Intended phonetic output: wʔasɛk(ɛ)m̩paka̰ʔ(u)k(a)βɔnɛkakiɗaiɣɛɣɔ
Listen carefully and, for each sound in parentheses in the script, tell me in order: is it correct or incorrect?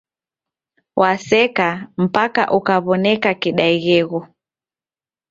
incorrect: a, correct, correct

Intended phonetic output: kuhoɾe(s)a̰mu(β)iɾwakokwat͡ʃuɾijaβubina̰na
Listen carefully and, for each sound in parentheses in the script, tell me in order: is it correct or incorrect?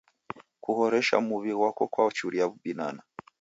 incorrect: ʃ, correct

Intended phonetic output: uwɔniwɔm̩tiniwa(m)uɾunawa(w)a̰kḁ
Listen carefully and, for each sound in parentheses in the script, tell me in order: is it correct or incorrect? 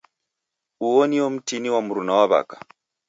correct, incorrect: β

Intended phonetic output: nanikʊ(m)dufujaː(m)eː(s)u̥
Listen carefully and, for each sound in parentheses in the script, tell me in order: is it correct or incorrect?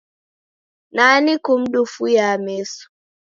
correct, correct, correct

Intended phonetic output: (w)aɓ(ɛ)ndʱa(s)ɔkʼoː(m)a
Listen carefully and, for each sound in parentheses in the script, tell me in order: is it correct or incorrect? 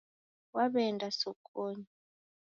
correct, correct, correct, incorrect: ɲ

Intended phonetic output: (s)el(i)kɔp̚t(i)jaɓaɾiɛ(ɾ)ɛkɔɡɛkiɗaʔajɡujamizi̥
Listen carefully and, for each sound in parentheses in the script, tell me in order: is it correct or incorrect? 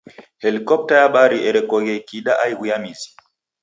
incorrect: h, correct, incorrect: a, correct

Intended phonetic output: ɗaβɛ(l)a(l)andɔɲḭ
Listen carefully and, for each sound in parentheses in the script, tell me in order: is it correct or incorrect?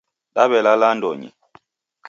correct, correct

